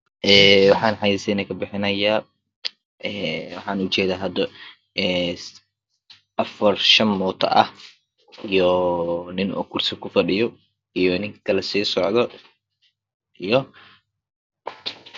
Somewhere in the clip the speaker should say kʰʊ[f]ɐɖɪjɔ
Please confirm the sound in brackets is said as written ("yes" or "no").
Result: yes